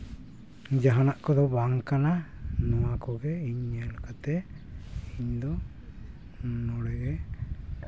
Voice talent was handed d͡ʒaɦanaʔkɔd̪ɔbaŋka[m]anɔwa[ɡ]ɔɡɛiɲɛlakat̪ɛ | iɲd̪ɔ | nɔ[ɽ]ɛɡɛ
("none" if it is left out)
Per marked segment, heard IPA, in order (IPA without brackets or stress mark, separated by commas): n, k, ɽ